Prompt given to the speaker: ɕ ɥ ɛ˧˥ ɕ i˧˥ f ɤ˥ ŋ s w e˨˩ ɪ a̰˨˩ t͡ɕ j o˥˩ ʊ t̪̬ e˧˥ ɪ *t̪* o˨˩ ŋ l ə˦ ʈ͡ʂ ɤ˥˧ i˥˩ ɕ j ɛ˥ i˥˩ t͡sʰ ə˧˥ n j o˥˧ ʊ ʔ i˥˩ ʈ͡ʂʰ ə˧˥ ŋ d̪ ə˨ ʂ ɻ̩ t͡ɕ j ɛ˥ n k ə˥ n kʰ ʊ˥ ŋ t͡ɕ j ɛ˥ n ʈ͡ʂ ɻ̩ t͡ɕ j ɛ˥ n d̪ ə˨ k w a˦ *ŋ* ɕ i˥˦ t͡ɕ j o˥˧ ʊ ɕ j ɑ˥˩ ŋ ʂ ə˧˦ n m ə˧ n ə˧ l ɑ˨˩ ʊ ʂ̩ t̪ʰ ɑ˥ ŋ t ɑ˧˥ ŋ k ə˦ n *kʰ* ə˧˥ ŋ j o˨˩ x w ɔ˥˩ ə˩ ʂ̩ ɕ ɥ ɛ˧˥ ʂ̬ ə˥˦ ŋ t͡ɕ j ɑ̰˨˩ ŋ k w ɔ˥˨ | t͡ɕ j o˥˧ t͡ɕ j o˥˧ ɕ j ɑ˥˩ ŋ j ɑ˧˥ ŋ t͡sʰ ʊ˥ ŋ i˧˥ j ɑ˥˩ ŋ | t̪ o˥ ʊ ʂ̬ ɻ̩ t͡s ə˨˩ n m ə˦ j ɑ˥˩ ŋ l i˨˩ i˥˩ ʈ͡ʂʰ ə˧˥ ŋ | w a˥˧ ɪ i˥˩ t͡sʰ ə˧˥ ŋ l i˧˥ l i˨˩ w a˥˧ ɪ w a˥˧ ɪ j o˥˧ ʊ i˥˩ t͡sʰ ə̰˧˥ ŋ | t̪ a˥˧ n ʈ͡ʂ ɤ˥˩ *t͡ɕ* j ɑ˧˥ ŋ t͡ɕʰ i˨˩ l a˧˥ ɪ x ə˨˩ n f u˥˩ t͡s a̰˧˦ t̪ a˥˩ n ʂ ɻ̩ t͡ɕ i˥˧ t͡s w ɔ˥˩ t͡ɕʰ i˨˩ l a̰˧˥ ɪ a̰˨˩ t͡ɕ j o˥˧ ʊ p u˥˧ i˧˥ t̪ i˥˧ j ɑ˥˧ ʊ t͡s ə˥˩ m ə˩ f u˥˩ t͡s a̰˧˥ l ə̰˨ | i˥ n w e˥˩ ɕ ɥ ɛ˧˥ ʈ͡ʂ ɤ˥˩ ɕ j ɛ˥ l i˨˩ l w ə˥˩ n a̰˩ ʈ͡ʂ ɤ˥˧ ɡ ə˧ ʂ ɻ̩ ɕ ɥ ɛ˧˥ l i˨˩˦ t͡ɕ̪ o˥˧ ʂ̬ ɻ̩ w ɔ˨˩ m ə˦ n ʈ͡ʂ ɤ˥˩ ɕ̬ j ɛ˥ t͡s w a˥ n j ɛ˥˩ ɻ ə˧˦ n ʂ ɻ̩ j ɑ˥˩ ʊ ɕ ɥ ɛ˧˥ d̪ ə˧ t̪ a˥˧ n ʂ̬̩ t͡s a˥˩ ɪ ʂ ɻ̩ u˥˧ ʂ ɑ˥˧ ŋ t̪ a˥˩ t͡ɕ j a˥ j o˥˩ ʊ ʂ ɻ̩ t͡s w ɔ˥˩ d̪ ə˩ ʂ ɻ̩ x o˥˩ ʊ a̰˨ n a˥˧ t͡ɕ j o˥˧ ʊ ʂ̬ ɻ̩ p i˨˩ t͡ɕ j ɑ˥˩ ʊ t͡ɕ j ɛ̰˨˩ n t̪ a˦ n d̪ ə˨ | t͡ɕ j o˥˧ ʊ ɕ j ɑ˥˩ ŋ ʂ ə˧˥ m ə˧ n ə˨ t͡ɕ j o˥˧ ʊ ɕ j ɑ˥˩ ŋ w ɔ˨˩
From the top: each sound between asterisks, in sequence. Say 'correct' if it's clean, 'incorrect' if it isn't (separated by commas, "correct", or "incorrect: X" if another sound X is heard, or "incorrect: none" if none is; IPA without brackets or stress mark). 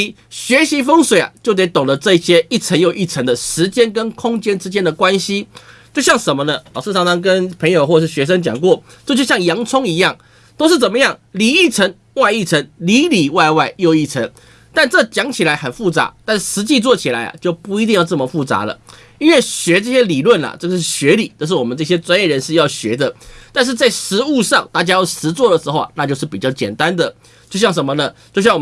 correct, incorrect: n, incorrect: pʰ, correct